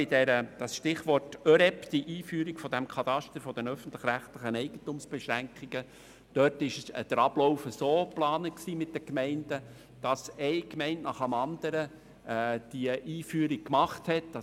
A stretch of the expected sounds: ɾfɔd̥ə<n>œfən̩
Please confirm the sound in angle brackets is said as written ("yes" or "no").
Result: yes